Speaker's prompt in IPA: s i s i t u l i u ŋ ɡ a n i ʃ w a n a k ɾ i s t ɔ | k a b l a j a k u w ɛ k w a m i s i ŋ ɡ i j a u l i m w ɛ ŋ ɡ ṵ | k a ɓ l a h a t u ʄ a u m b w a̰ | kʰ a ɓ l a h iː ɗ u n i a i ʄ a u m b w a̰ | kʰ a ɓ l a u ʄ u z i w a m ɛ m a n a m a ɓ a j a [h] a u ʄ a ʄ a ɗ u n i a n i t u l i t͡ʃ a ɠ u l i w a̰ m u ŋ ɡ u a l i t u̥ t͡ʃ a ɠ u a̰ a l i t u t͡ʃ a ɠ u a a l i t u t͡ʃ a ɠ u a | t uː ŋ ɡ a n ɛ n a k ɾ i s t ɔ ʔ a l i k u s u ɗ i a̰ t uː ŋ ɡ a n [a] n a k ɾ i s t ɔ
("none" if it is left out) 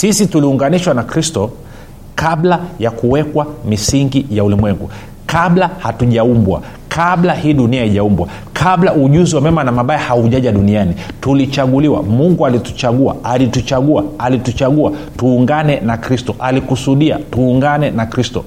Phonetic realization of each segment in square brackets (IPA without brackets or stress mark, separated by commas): h, ɛ